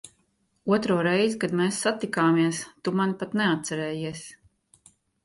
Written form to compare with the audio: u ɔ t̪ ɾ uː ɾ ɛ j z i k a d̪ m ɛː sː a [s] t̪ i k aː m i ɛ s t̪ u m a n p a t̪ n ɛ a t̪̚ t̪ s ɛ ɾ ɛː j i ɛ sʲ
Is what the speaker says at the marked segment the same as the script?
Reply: no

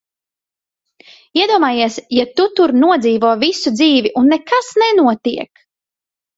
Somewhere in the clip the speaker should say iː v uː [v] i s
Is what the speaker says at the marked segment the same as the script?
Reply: yes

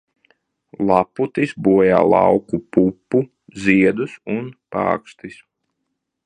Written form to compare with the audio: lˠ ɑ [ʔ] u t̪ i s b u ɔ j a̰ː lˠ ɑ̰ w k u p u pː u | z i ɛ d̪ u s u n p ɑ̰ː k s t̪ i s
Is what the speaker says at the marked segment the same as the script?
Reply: no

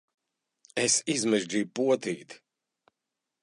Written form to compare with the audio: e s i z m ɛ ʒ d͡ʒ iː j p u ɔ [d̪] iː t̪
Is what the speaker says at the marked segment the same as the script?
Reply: no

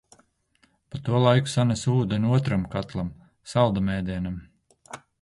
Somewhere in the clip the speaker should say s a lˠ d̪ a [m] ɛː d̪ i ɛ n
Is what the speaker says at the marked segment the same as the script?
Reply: yes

